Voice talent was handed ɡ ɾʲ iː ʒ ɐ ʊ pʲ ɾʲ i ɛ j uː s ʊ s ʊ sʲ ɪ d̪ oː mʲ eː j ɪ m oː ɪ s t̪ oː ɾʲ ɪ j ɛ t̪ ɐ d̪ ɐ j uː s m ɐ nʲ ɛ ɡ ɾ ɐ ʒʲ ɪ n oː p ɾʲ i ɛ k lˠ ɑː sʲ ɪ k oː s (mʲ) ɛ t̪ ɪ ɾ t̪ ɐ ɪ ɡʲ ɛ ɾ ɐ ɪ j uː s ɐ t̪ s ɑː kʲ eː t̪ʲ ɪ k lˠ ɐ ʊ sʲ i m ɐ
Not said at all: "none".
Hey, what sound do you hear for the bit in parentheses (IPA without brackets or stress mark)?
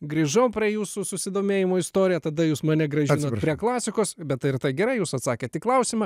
bʲ